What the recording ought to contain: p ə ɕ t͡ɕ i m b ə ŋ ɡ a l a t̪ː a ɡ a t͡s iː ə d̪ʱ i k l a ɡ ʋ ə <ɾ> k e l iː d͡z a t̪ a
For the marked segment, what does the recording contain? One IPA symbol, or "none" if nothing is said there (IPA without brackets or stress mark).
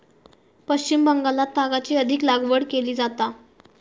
ɽ